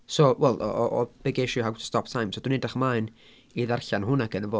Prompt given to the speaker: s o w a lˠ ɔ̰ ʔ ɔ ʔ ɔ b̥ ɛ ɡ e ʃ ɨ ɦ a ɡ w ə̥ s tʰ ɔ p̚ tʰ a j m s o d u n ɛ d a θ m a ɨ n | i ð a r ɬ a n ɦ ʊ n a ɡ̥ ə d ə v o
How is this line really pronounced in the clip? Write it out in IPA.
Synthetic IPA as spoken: s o w ɛ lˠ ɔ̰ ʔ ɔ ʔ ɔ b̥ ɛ ɡ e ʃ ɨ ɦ a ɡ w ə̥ s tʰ ɔ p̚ tʰ a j m s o d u n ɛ d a χ m a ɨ n | i ð a r ɬ a n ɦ ʊ n a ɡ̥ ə n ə v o